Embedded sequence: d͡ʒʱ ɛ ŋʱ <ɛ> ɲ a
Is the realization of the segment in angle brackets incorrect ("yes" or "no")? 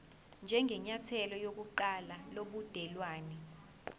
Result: no